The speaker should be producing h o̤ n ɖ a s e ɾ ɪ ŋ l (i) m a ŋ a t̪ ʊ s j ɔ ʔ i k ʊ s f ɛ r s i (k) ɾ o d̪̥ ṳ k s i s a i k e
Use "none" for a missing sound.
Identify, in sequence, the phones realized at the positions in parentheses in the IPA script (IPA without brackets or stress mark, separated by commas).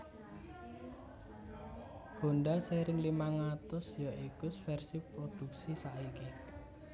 i, p